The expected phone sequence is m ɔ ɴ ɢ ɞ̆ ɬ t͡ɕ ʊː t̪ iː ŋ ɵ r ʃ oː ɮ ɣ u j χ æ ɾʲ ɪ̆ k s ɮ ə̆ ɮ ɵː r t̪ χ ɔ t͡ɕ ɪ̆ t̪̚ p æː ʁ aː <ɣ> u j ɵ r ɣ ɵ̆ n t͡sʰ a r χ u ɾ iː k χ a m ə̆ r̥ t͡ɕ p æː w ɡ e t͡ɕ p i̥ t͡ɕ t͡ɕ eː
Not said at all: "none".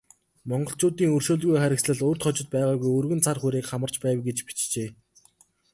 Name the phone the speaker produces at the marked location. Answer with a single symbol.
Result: ɣ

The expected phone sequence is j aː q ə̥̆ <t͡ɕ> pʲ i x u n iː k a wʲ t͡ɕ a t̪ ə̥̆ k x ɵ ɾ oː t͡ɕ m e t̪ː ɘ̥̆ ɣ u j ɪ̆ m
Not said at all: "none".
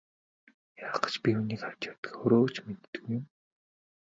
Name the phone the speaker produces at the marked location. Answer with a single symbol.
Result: t͡ɕ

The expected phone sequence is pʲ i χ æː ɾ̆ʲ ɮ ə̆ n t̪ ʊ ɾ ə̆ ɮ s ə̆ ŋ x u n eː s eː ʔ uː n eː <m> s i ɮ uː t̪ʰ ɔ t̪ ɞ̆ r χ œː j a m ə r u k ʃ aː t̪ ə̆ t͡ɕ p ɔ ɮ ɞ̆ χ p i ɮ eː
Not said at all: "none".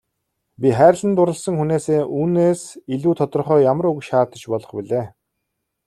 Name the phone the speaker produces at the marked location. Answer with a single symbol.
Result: none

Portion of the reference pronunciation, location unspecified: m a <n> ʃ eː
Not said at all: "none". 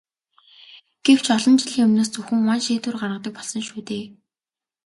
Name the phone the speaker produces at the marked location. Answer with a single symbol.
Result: n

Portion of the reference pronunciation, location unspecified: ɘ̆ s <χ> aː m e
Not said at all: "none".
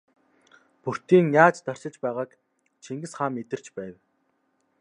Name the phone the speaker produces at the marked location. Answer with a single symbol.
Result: χ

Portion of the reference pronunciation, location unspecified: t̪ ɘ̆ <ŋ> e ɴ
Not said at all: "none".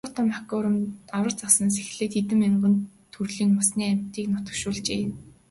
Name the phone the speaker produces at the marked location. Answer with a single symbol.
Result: m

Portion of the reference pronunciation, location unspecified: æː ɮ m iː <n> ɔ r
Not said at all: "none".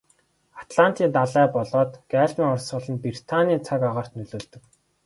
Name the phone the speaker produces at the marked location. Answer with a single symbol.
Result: ŋ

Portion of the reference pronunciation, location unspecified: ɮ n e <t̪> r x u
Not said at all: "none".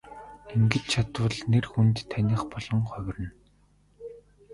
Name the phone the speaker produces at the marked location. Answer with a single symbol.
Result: none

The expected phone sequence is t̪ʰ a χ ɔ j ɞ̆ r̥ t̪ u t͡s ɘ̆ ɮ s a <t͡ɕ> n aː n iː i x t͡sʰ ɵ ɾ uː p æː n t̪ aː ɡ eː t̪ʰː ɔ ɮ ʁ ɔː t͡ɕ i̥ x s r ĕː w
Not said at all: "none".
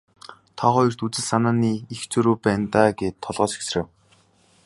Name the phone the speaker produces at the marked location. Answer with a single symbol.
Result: none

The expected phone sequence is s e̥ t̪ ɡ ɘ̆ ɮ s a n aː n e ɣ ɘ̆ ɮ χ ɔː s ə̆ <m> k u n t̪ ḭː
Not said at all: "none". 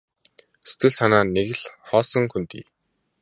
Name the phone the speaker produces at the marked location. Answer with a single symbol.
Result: ŋ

